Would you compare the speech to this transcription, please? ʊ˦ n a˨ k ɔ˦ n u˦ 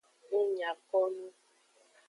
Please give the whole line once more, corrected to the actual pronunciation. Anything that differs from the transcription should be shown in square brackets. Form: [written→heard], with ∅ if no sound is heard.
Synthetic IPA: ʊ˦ [n→ɲ] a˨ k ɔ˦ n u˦